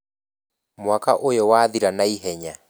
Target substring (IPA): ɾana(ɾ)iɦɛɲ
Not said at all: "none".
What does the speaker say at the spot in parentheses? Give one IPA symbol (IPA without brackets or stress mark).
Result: none